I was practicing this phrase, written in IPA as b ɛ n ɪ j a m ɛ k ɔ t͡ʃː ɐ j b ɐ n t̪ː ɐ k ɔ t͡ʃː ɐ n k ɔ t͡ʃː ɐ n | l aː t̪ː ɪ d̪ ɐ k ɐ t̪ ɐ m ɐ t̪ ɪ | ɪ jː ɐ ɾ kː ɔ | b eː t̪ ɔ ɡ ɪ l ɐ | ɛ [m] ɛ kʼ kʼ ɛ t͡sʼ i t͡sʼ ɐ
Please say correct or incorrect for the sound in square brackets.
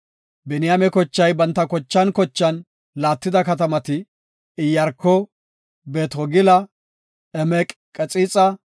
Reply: correct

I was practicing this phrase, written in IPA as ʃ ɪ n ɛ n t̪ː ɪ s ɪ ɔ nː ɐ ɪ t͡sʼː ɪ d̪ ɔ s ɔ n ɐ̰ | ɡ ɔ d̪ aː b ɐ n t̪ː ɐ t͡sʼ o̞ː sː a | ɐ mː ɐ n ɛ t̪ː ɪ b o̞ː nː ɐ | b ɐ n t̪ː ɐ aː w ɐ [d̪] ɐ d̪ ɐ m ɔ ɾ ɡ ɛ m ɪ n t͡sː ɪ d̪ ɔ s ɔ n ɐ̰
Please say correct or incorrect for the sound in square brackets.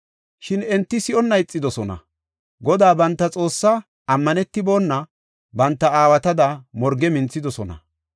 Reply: incorrect: t̪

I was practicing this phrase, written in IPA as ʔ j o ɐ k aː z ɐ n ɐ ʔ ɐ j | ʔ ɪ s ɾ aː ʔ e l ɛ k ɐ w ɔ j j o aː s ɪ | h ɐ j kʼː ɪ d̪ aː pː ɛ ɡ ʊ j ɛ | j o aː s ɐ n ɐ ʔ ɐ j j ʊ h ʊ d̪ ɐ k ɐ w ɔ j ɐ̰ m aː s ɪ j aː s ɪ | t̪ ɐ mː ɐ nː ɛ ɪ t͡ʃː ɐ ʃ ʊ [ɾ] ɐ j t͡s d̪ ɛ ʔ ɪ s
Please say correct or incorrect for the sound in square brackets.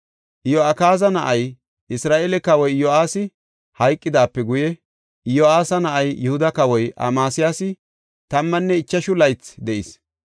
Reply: incorrect: l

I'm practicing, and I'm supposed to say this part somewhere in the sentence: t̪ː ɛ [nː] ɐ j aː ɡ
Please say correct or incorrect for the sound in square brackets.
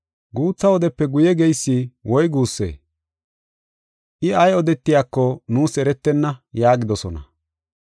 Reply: correct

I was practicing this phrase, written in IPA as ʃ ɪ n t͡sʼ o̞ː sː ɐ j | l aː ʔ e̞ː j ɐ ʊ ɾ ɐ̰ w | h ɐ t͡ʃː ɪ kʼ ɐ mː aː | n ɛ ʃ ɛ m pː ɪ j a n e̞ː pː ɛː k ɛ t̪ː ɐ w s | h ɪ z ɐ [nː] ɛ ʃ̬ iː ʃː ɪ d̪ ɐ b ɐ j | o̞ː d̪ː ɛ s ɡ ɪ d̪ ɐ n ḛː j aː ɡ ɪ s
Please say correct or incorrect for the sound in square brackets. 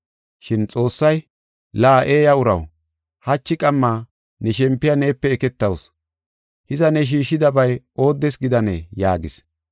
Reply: incorrect: n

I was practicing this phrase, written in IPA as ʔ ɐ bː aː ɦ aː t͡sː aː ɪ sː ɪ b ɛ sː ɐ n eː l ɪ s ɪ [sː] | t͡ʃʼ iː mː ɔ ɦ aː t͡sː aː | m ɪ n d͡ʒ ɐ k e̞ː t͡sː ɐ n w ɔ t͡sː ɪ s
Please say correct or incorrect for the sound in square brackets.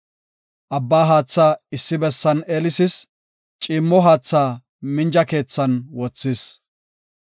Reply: incorrect: s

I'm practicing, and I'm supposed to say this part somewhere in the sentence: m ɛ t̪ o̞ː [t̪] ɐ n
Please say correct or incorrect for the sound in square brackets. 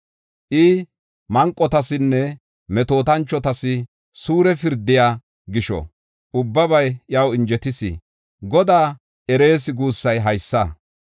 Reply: correct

